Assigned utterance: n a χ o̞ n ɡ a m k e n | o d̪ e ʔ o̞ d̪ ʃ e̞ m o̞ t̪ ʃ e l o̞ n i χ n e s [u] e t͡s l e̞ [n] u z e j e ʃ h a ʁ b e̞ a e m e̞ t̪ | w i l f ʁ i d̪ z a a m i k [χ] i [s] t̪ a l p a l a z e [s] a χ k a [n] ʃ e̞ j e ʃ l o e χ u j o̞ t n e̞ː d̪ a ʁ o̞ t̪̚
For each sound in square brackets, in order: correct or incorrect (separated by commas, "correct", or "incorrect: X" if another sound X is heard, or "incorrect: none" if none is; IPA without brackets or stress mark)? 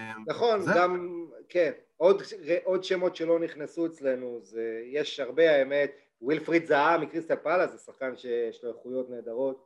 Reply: correct, correct, incorrect: ʁ, correct, correct, correct